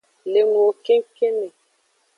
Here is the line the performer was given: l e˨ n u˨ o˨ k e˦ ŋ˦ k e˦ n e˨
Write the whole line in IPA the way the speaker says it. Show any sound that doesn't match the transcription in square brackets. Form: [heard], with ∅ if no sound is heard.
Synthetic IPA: l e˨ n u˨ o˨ k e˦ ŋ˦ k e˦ n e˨